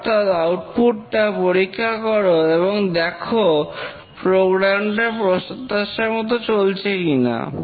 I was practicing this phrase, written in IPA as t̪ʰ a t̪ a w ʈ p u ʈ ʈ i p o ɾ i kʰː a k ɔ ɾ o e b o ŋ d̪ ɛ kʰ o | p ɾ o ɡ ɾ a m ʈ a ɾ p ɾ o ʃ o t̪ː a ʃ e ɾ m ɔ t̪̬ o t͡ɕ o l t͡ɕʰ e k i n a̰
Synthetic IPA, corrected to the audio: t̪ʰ a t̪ a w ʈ p u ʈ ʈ a p o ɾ i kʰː a k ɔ ɾ o e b o ŋ d̪ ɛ kʰ o | p ɾ o ɡ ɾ a m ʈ a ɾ p ɾ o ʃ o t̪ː a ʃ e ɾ m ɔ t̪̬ o t͡ɕ o l t͡ɕʰ e k i n a̰

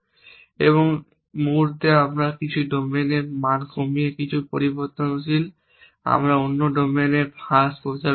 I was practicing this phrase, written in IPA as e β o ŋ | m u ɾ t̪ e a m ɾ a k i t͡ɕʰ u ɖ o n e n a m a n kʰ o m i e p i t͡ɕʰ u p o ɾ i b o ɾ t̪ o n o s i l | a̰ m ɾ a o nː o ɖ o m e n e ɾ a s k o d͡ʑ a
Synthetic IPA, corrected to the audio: e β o ŋ | m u ɾ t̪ e a m ɾ a k i t͡ɕʰ u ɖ o m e n e m a n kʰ o m i e k i t͡ɕʰ u p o ɾ i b o ɾ t̪ o n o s i l | a̰ m ɾ a o nː o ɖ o m e n e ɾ a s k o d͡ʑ a

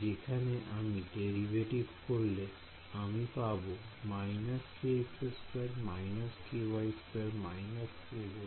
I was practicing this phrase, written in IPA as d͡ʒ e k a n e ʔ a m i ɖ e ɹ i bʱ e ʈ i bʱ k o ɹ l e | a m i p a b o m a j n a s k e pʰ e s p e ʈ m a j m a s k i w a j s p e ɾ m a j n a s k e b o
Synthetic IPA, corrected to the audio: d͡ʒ e kʰ a n e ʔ a m i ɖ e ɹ i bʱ e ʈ i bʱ k o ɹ l e | a m i p a b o m a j n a s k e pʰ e s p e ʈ m a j n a s k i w a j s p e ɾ m a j n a s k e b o

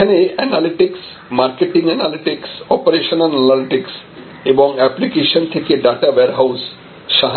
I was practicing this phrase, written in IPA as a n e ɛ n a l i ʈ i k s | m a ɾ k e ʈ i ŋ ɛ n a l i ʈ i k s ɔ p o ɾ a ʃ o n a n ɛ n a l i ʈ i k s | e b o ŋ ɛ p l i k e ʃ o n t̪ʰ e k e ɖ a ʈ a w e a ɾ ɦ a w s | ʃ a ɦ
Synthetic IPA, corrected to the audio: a n e ɛ n a l i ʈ i k s | m a ɾ k e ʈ i ŋ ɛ n a l i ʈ i k s ɔ p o ɾ e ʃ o n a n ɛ n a l i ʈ i k s | e b o ŋ ɛ p l i k e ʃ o n t̪ʰ e k e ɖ a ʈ a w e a ɾ ɦ a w s | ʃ a ɦ

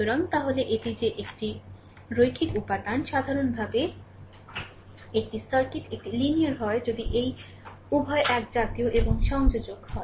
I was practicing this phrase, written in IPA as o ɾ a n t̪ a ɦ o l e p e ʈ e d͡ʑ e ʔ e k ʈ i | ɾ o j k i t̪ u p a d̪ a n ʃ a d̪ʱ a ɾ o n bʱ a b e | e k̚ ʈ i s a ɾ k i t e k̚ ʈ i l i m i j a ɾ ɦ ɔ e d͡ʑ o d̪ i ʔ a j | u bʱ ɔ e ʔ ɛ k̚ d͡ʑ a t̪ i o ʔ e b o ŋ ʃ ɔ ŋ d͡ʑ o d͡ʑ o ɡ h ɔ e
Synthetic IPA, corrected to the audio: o ɾ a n t̪ a ɦ o l e ʔ e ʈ i d͡ʑ e ʔ e k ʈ i | ɾ o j kʰ i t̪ u p a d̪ a n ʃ a d̪ʱ a ɾ o n bʱ a b e | e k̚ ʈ i s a ɾ k i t e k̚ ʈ i l i n i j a ɾ ɦ ɔ e d͡ʑ o d̪ i ʔ e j | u bʱ ɔ e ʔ ɛ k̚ d͡ʑ a t̪ i o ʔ e b o ŋ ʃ ɔ ŋ d͡ʑ o d͡ʑ o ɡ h ɔ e

